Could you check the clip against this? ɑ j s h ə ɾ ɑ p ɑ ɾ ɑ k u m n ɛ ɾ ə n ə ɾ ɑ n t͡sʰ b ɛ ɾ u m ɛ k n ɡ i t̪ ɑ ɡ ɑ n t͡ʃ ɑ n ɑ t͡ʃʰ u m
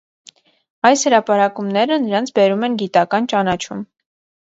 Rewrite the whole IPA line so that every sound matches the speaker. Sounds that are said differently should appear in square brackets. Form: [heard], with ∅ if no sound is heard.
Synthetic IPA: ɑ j s h ə ɾ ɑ p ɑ ɾ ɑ k u m n ɛ ɾ ə n ə ɾ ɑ n t͡sʰ b ɛ ɾ u m ɛ [∅] n ɡ i t̪ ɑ [k] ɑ n t͡ʃ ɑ n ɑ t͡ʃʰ u m